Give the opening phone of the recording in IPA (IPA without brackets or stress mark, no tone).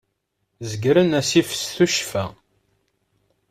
z